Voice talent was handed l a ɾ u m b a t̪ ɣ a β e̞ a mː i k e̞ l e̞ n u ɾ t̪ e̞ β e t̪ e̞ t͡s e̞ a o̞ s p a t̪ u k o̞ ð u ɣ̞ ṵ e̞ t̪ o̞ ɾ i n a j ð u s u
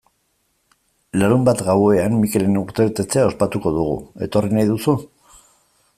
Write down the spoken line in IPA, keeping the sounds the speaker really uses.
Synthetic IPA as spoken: l a ɾ u m b a t̪ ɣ a w e̞ a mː i k e̞ l e̞ n u ɾ t̪ e̞ β e t̪ e̞ t͡s e̞ a o̞ s p a t̪ u k o̞ ð u ɣ̞ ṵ e̞ t̪ o̞ r i n a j ð u s u